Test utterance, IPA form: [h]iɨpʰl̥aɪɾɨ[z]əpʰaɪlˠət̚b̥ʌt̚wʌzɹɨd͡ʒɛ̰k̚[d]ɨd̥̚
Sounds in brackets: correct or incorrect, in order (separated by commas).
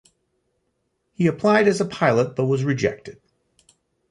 correct, correct, incorrect